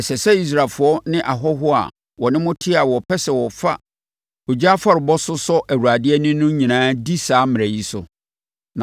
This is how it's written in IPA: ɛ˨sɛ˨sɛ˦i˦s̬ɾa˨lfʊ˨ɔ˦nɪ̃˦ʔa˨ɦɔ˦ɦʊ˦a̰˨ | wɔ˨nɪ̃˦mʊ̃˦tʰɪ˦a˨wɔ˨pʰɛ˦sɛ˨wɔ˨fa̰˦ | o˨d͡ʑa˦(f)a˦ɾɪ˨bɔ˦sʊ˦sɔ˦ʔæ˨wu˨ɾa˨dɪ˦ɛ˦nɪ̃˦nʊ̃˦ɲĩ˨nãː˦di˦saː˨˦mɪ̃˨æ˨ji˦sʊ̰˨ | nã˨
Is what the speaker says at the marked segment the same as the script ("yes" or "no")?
yes